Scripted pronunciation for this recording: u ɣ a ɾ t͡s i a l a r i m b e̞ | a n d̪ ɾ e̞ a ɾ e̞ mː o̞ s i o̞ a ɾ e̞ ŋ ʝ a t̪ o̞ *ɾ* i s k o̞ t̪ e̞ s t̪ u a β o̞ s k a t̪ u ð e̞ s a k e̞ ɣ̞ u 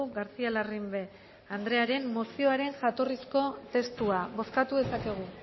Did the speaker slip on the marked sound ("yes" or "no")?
yes